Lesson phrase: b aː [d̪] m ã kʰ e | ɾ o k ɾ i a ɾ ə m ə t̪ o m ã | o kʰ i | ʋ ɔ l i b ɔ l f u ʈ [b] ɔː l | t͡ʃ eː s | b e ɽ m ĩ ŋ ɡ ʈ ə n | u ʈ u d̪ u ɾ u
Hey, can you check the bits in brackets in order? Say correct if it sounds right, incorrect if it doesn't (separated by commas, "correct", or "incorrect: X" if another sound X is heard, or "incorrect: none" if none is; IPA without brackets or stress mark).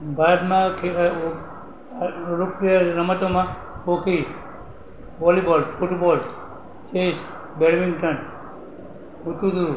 correct, correct